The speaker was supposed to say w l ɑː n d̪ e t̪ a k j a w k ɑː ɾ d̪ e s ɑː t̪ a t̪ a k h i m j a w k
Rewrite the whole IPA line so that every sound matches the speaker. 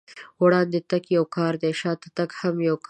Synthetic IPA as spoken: w ɽ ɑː n d̪ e t̪ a k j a w k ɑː ɾ d̪ e ʃ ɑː t̪ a t̪ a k h a m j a w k